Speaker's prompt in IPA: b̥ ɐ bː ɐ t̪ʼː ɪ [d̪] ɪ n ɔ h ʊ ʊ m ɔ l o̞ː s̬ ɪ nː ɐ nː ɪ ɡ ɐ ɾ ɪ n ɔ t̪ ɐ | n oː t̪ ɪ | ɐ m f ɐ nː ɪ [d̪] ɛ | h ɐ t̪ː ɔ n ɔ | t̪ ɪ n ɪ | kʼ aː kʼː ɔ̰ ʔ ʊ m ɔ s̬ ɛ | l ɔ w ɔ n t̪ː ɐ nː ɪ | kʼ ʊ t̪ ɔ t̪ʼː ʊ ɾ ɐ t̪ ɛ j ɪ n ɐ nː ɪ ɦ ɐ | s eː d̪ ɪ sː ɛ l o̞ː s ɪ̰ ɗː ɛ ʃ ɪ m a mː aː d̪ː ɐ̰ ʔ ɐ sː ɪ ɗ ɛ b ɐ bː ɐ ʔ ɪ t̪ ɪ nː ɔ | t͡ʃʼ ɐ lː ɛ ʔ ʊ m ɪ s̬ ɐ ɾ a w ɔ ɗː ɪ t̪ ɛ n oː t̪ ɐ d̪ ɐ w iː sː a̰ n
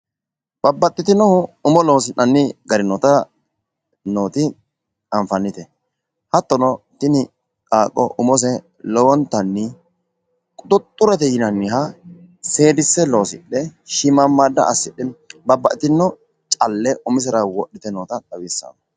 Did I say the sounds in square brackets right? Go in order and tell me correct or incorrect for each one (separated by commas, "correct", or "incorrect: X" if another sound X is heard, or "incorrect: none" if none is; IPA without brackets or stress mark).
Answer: incorrect: t̪, incorrect: t̪